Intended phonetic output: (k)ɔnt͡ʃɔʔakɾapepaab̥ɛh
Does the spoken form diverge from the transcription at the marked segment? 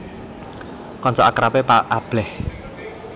no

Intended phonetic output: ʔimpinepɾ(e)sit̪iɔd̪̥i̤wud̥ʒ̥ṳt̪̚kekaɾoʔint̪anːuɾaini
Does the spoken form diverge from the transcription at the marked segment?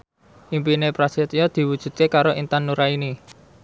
yes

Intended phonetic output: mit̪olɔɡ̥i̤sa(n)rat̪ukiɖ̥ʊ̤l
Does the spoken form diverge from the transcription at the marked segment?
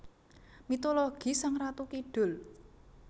yes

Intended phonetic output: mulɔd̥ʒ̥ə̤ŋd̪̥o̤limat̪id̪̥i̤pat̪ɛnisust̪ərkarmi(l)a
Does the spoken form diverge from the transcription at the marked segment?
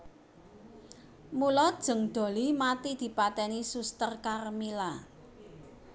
no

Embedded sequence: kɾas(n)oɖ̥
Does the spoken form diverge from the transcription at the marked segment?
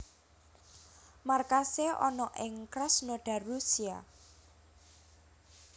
no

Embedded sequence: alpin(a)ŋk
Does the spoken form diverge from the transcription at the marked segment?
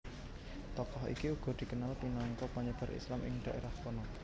no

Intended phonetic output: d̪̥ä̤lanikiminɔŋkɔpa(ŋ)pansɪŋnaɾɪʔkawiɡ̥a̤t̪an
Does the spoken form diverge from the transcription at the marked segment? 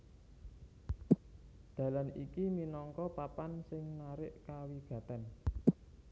yes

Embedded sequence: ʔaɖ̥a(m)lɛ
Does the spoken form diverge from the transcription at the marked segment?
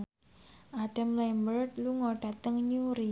no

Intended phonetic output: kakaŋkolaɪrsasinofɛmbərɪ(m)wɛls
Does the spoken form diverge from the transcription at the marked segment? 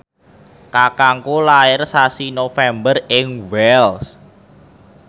yes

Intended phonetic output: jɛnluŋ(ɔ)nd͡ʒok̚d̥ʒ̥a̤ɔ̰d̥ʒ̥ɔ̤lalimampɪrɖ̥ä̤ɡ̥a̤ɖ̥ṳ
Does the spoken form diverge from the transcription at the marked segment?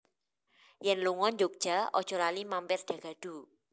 no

